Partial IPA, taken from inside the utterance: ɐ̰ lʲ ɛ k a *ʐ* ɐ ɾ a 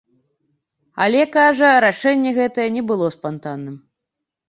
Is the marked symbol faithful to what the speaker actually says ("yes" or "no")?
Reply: yes